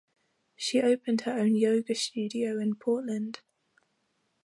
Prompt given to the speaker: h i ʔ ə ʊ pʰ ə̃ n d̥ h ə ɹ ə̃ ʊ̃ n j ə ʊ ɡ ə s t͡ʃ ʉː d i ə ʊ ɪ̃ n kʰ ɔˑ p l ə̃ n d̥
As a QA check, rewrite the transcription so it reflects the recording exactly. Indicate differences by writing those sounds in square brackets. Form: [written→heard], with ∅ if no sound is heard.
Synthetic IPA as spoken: [h→ʃ] i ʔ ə ʊ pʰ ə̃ n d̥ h ə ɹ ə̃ ʊ̃ n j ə ʊ ɡ ə s t͡ʃ ʉː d i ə ʊ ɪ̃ n [kʰ→pʰ] ɔˑ [p→ʔ] l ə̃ n d̥